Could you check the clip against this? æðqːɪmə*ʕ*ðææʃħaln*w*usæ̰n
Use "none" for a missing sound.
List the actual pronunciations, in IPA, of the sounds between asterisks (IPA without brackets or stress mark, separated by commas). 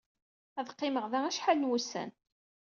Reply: ʁ, w